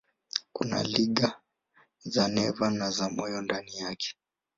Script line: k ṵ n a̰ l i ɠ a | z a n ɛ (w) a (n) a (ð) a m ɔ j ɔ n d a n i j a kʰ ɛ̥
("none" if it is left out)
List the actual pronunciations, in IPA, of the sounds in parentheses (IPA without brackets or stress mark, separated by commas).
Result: v, n, z